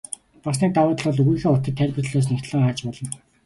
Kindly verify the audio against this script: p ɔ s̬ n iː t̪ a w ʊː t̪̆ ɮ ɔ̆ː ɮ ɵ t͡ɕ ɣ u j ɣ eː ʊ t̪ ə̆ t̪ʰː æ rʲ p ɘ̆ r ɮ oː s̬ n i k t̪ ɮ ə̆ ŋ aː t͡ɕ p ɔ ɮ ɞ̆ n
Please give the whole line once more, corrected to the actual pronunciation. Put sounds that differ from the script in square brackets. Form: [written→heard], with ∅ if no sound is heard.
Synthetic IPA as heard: p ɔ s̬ n iː t̪ a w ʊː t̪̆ ɮ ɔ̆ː ɮ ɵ [t͡ɕ→∅] ɣ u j [ɣ→x] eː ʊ t̪ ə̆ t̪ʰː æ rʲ p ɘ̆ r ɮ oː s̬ n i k t̪ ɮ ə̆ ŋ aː t͡ɕ p ɔ ɮ ɞ̆ n